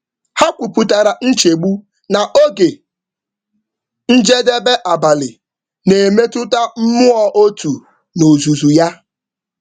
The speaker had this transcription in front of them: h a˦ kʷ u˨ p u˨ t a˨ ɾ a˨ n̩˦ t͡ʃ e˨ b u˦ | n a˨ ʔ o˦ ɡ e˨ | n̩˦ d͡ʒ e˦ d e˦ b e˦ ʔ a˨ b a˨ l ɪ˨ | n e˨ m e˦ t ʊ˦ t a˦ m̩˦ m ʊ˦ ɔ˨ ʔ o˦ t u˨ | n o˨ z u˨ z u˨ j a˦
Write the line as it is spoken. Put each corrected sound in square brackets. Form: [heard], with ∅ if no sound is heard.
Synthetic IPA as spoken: h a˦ kʷ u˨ p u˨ t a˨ ɾ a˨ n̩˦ t͡ʃ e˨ [ɡ͡b] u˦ | n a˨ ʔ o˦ ɡ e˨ | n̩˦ d͡ʒ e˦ d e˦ b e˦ ʔ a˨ b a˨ l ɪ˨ | n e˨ m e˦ t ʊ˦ t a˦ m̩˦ m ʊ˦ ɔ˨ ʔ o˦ t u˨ | n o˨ z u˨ z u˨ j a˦